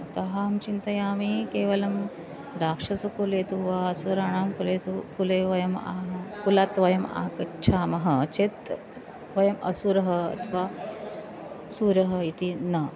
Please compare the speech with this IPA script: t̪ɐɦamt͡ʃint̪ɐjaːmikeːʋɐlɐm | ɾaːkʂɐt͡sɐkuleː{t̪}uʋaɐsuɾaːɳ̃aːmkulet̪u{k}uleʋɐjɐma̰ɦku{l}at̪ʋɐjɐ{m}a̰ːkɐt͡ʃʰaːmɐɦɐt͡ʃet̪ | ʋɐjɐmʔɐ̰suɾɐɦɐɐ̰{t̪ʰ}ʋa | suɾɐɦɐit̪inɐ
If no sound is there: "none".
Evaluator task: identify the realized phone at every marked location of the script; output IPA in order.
t̪, k, l, m, t̪ʰ

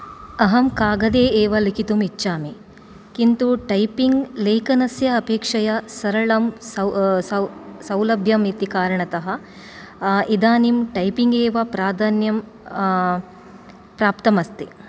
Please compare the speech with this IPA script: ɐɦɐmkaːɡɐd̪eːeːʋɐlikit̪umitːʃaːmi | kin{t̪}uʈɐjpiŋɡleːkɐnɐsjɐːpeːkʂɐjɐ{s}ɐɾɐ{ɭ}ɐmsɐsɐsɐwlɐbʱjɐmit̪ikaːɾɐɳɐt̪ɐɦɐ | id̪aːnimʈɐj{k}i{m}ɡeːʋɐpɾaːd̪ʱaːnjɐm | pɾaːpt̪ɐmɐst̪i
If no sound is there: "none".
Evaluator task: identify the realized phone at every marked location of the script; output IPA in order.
t̪, s, ɭ, p, ŋ

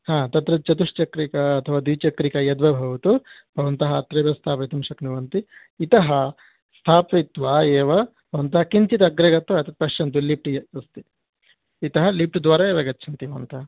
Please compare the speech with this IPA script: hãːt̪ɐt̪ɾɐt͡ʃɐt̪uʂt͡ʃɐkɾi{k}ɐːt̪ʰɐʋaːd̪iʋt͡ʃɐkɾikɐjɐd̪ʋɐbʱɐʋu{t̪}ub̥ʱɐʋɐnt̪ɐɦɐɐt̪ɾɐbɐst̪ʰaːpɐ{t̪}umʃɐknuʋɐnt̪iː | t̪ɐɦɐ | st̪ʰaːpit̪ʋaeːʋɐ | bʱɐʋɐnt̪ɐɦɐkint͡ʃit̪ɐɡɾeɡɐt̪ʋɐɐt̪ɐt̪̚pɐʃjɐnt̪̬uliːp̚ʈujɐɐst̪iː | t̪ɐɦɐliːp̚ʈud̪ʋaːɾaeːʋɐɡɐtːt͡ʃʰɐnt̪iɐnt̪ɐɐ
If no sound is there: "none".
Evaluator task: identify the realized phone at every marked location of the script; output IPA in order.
k, t̪, t̪

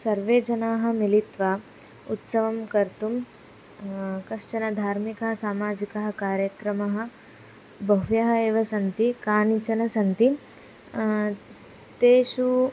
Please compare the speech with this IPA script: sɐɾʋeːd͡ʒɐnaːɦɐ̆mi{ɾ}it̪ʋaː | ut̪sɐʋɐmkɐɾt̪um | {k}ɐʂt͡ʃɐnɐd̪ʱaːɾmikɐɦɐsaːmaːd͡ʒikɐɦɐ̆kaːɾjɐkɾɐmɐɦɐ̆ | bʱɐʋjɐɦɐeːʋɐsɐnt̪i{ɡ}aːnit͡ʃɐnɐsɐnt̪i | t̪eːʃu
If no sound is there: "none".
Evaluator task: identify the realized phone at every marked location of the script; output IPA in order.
l, k, k

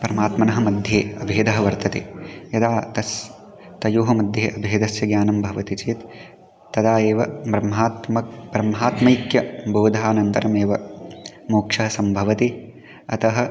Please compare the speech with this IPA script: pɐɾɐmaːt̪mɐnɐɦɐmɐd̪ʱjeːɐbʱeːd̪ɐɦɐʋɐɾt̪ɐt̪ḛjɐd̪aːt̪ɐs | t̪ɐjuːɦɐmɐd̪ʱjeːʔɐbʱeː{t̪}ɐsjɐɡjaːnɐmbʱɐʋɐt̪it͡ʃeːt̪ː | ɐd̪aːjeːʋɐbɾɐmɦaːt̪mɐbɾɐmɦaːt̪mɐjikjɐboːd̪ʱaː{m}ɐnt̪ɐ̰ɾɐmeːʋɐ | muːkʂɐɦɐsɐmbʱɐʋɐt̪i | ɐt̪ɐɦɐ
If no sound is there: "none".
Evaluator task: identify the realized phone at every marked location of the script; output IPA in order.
d̪, n

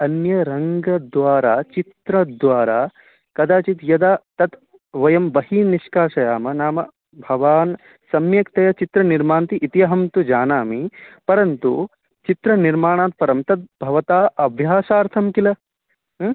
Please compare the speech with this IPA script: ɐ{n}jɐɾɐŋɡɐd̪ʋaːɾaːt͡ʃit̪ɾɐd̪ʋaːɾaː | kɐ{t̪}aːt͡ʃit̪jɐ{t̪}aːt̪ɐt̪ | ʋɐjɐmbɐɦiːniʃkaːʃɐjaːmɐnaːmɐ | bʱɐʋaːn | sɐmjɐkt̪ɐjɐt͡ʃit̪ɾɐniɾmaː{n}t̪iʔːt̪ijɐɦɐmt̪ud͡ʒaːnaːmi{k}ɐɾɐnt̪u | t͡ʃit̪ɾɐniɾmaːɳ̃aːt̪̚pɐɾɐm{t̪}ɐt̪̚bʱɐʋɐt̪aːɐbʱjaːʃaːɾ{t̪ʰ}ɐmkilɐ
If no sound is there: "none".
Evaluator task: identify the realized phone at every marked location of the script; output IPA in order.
n, d̪, d̪, n, p, t̪, t̪ʰ

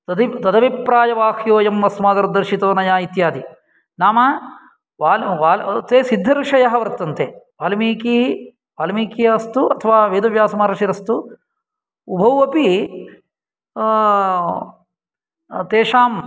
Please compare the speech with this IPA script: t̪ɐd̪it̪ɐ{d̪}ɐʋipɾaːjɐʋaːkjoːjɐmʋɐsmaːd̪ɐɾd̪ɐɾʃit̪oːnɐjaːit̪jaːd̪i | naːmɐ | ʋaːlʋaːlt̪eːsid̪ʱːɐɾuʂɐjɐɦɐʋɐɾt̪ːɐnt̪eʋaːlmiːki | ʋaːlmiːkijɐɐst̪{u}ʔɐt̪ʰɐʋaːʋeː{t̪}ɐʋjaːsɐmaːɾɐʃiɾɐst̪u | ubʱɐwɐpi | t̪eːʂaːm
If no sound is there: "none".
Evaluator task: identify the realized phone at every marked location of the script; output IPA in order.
d̪, u, d̪

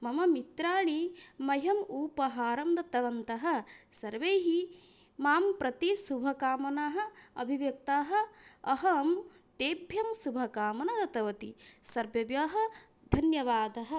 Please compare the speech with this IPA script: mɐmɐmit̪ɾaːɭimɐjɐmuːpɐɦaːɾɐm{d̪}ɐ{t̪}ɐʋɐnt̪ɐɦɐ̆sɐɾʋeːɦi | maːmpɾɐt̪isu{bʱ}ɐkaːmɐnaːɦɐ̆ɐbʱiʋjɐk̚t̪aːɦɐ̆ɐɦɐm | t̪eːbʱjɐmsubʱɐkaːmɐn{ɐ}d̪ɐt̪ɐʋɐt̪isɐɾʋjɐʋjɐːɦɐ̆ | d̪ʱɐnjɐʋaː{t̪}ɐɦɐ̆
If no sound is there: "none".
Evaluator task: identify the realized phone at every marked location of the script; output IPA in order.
d̪, t̪, bʱ, ɐ, d̪

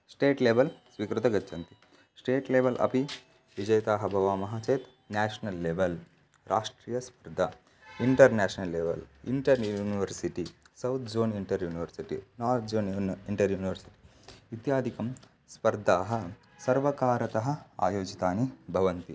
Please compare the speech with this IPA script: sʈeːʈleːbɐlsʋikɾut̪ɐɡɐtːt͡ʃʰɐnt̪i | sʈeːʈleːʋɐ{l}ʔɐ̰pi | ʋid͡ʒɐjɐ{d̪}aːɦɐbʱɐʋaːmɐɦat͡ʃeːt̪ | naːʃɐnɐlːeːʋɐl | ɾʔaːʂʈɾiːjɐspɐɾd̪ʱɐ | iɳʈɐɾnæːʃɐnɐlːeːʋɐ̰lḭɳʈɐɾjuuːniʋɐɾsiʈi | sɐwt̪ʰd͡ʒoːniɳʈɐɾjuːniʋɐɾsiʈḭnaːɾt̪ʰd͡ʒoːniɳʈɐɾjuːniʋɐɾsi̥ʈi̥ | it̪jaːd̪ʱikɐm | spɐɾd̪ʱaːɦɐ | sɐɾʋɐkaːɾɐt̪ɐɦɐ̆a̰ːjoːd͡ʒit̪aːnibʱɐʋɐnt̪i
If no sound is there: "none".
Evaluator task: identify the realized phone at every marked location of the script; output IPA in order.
l, t̪

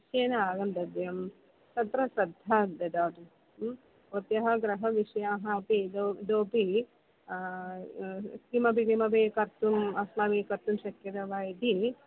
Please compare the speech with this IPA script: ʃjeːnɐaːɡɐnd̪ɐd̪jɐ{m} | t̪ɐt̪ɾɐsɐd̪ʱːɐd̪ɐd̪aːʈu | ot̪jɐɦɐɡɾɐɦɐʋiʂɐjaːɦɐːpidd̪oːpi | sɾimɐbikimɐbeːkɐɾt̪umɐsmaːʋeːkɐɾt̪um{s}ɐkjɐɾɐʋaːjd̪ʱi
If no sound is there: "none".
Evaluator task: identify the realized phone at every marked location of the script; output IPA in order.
m, ʃ

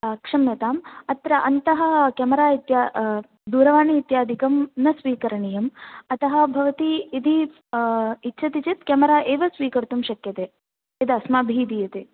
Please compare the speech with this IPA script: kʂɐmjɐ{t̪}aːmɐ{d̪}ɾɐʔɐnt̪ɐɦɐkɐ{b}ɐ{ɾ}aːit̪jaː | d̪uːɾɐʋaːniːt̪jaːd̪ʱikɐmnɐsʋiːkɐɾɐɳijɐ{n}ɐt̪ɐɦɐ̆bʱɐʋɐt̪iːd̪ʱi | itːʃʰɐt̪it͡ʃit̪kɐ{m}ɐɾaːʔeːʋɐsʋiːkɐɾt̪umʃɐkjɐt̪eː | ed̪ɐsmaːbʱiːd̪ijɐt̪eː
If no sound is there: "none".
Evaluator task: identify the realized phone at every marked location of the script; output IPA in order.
t̪, t̪, m, ɾ, m, m

